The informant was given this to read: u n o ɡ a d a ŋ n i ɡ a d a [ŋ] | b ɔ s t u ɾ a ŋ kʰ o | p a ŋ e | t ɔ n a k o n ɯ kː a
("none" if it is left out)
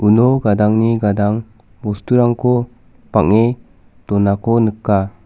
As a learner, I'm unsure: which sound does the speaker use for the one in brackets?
ŋ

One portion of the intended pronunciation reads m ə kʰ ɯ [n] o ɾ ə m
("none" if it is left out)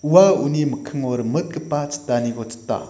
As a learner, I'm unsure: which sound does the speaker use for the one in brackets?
ŋ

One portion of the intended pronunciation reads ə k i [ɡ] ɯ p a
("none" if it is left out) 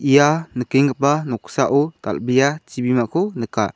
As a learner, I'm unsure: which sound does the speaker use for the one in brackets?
ŋ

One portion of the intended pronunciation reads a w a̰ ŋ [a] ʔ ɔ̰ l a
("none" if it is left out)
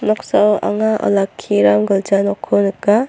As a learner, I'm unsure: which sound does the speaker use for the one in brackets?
a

